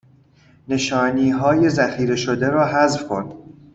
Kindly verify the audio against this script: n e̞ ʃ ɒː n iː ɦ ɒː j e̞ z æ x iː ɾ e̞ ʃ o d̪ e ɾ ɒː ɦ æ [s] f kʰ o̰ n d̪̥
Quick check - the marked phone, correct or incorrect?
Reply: incorrect